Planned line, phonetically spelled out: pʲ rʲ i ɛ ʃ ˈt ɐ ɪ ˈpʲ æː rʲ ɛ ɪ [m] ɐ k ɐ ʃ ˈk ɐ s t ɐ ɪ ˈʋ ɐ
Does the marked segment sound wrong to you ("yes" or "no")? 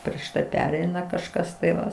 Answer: yes